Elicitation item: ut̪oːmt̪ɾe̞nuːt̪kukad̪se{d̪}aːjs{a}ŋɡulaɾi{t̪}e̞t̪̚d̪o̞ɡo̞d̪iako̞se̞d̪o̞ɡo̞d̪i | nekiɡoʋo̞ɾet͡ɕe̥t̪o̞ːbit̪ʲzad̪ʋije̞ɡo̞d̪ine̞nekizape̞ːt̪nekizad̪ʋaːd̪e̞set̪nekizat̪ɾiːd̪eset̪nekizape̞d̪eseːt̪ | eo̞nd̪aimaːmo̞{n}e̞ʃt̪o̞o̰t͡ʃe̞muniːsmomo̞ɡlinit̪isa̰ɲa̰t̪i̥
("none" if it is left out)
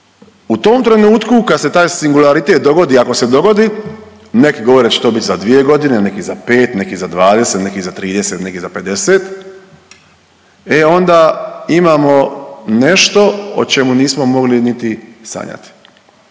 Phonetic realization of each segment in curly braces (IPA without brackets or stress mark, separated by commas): t̪, i, t̪, n